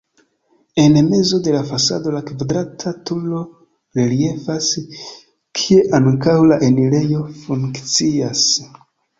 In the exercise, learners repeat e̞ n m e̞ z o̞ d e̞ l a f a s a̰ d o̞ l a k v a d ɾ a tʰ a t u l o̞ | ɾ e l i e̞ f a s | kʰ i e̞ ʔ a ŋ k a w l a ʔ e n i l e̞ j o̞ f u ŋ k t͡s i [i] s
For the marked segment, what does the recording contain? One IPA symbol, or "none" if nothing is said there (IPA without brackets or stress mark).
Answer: a